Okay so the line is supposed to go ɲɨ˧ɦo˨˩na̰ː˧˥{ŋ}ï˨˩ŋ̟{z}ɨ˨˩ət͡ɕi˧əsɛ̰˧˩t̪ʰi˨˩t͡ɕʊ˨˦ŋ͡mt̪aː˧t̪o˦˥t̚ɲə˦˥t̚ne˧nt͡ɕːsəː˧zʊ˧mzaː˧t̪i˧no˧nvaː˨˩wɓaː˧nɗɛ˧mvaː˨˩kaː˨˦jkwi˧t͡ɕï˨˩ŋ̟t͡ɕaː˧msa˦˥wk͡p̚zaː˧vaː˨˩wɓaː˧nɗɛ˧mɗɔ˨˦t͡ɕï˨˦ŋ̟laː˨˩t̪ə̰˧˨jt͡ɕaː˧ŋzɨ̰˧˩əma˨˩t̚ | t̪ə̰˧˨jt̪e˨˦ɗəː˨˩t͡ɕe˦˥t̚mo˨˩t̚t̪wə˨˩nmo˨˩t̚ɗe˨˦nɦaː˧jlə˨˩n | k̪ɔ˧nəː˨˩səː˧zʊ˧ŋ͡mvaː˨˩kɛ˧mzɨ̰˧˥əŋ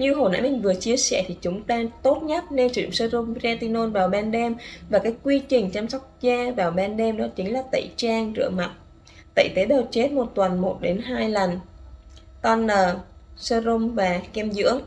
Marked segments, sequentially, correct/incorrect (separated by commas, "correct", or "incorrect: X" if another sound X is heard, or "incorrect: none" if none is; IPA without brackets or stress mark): incorrect: m, incorrect: v